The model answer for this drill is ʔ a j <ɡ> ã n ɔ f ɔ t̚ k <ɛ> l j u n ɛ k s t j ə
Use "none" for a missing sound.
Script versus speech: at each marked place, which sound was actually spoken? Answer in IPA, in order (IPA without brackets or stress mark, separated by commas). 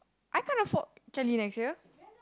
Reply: k, ɛ